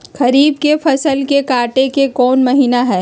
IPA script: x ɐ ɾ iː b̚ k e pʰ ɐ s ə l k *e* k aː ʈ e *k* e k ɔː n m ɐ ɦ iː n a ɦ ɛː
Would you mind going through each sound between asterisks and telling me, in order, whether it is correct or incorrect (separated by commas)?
correct, correct